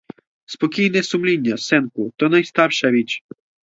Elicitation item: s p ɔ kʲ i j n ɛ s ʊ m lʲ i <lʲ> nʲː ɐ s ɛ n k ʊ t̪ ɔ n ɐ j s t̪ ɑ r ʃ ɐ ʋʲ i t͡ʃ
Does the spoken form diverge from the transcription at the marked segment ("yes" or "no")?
yes